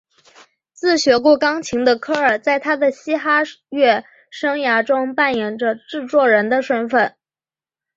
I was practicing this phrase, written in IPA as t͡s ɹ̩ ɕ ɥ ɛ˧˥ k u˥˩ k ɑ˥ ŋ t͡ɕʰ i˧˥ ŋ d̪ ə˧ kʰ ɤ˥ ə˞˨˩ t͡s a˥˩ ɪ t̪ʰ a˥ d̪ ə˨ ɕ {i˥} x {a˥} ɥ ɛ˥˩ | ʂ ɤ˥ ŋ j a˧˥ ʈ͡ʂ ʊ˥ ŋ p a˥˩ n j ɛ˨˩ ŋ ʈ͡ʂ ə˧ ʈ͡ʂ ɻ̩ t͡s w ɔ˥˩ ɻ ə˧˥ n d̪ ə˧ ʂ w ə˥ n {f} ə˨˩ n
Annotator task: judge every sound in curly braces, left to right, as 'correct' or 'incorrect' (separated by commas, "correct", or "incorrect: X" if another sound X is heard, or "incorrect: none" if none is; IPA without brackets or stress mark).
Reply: correct, correct, correct